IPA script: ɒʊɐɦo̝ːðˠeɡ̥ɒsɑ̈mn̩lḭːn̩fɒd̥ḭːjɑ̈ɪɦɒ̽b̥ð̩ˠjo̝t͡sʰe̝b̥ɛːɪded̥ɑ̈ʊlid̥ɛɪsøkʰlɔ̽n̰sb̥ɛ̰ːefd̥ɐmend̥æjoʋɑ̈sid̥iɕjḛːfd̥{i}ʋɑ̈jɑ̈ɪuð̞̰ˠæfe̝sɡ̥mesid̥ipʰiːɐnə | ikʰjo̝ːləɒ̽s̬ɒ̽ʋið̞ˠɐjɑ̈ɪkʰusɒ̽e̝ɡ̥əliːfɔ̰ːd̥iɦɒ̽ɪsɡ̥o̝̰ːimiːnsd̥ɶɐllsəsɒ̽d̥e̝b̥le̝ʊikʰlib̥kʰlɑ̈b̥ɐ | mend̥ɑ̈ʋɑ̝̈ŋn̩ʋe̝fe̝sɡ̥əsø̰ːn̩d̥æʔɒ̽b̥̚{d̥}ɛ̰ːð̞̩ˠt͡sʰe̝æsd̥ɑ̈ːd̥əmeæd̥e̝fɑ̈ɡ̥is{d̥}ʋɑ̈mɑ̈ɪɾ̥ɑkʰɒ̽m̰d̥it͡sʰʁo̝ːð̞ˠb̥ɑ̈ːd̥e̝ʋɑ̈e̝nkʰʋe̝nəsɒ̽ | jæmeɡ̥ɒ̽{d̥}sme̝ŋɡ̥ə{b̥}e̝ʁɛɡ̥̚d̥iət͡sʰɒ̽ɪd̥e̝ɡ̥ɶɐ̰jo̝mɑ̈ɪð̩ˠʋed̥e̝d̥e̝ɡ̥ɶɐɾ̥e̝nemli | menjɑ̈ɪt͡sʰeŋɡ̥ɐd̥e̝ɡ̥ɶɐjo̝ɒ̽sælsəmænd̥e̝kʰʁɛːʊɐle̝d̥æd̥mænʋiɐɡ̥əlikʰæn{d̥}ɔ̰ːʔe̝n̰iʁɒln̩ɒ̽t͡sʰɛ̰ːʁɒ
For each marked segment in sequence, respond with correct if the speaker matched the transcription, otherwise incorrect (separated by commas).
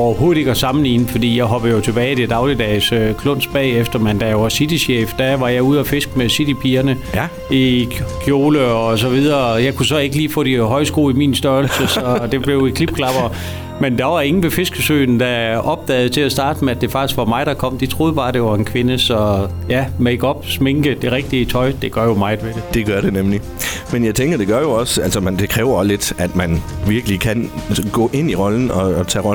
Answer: incorrect, correct, incorrect, incorrect, incorrect, incorrect